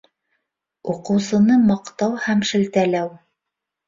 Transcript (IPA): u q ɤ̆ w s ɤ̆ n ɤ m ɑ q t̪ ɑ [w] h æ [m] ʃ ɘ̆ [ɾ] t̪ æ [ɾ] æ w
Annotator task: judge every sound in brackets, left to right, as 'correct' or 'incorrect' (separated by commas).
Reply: correct, correct, incorrect, incorrect